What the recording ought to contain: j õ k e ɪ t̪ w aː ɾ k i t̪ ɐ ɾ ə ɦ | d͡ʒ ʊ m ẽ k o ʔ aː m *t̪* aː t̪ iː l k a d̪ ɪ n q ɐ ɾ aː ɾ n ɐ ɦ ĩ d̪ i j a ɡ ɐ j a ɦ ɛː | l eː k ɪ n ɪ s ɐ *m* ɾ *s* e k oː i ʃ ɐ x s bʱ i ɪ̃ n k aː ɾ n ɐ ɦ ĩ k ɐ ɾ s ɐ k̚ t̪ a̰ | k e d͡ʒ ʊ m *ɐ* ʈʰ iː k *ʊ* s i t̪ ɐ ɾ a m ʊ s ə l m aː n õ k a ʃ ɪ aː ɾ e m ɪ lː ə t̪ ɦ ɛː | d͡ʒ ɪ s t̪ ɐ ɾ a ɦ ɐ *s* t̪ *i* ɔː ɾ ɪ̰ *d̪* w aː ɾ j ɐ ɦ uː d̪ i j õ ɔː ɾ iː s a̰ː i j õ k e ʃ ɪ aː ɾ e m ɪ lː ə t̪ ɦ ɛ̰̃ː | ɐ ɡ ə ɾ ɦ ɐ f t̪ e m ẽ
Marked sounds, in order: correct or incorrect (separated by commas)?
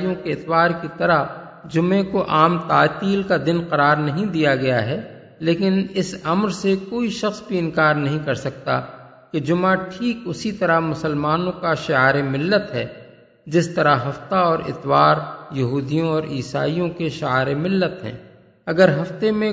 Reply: correct, correct, correct, incorrect, correct, incorrect, incorrect, incorrect